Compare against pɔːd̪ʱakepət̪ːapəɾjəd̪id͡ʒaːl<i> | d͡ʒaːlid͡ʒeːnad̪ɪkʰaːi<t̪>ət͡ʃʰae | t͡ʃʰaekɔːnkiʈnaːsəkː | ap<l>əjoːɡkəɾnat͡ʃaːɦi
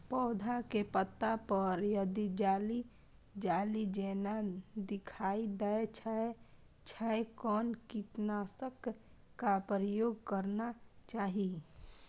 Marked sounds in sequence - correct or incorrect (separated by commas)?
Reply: correct, incorrect, incorrect